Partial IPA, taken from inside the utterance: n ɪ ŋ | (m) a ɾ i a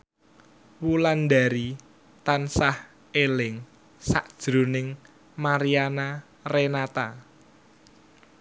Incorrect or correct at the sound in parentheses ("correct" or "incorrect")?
correct